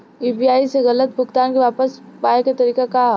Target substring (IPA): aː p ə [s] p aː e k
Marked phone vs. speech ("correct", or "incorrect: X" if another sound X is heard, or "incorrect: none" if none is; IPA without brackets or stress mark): correct